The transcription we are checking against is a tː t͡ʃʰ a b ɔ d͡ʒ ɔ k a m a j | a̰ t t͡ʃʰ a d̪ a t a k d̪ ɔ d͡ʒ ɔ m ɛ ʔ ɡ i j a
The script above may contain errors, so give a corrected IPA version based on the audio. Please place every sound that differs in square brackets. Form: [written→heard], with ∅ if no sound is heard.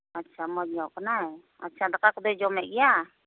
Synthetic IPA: a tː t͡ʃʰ a [b→m] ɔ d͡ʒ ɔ k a [m→n] a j | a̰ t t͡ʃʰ a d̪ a [t→k] a k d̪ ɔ d͡ʒ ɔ m ɛ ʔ ɡ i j a